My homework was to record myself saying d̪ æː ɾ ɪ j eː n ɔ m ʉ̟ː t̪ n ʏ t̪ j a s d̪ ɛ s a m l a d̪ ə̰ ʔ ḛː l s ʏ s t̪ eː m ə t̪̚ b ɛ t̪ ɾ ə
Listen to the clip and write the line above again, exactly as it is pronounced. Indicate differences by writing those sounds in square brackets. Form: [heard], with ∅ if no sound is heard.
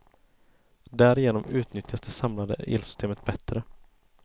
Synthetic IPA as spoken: d̪ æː ɾ ɪ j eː n ɔ m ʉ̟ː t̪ n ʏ t̪ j a s d̪ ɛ s a m l a d̪ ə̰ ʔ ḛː l s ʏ s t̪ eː m ə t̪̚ b ɛ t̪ ɾ ə